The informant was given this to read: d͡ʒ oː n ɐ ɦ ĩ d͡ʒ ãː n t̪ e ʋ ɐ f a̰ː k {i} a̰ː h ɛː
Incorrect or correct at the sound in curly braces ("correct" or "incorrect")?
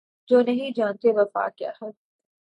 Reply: incorrect